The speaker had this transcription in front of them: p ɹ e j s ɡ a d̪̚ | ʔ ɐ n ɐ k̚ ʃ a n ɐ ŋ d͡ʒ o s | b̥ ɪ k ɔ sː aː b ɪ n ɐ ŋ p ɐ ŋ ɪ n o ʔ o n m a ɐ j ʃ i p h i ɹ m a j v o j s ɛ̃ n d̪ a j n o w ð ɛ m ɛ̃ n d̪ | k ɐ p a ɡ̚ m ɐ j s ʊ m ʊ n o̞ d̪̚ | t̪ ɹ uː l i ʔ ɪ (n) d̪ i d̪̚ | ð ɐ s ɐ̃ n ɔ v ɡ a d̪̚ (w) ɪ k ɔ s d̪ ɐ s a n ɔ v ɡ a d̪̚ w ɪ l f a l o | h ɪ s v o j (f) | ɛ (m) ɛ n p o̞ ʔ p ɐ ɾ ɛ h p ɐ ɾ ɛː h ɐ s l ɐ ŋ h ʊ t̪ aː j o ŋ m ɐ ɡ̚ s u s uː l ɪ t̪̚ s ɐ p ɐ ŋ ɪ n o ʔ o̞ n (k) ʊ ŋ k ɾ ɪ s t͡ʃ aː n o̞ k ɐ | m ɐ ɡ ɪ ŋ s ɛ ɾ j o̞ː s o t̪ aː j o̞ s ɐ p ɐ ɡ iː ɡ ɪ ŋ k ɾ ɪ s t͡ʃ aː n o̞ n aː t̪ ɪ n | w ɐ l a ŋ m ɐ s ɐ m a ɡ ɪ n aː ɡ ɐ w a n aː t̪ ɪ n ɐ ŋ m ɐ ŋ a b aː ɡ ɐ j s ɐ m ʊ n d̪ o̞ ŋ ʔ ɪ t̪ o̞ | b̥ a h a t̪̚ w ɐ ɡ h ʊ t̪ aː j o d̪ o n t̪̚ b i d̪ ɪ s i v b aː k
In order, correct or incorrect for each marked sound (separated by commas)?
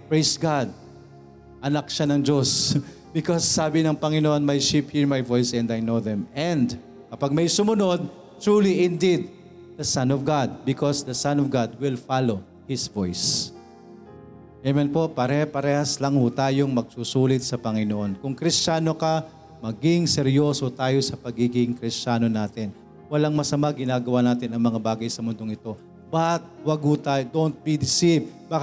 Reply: correct, incorrect, incorrect, correct, correct